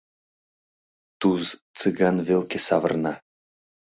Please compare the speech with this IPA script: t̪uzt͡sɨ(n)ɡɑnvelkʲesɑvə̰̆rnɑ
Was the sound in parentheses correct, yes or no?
no